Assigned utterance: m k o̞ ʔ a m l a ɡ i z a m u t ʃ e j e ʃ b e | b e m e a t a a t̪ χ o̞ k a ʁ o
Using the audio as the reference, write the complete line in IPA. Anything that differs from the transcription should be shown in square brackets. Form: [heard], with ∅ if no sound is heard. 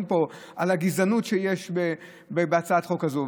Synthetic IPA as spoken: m [p] o̞ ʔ a [∅] l a ɡ i z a [n] u t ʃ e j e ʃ b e | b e [b] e a [t͡s] a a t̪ χ o̞ k a [z] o